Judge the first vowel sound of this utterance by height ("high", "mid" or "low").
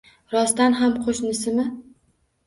low